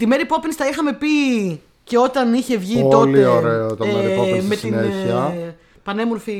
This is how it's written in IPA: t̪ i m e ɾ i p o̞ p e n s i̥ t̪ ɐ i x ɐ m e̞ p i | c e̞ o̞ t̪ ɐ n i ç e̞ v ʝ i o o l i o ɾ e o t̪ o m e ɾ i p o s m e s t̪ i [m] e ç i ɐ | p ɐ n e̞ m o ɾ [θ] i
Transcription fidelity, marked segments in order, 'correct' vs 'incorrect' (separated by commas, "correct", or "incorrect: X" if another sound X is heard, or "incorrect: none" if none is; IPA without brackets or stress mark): incorrect: n, incorrect: f